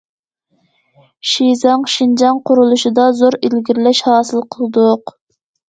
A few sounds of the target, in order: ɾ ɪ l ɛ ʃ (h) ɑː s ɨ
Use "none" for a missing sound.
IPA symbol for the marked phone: h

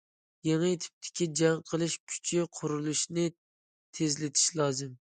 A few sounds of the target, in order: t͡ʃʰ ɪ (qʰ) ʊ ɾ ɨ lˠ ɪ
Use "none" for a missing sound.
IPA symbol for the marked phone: qʰ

